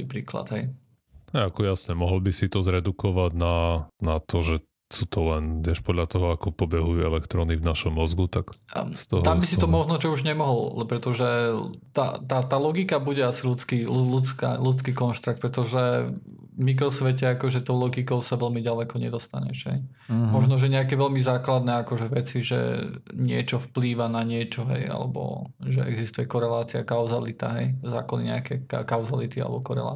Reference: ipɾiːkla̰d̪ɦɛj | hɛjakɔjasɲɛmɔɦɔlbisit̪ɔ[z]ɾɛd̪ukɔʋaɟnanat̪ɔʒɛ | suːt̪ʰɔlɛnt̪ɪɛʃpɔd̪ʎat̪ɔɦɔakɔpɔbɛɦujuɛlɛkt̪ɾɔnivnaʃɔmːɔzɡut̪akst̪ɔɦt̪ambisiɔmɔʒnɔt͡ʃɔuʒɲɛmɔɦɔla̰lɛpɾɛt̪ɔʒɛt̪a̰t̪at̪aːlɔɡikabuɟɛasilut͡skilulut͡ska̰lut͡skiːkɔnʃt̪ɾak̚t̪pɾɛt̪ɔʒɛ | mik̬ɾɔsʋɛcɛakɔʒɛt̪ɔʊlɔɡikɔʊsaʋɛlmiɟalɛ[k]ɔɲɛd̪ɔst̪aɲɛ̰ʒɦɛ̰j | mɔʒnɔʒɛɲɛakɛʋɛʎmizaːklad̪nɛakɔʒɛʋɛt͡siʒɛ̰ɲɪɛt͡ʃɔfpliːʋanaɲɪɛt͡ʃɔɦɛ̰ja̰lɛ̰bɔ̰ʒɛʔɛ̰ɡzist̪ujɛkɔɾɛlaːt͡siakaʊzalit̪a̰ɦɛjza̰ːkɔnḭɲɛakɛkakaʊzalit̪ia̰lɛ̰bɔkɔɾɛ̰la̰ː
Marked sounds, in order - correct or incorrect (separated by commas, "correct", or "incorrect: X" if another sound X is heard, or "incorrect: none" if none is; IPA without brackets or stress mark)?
correct, correct